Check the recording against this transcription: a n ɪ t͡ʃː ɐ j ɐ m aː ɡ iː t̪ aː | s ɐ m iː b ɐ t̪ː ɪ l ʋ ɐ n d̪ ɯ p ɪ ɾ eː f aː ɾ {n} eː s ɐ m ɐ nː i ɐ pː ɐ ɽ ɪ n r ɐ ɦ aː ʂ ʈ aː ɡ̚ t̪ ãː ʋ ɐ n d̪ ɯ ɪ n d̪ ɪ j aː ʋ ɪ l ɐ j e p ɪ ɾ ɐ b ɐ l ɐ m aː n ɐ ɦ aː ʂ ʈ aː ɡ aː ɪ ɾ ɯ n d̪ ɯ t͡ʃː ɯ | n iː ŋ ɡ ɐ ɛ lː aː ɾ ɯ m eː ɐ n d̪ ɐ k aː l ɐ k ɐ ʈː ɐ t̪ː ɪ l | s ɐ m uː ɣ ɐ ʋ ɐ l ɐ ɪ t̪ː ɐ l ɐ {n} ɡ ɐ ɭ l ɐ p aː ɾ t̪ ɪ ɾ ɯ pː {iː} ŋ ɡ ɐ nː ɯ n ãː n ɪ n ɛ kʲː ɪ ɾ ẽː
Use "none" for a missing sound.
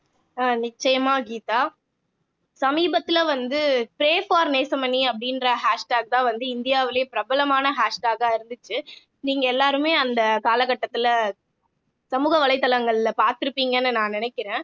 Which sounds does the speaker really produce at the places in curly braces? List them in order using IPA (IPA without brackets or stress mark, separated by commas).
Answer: n, ŋ, iː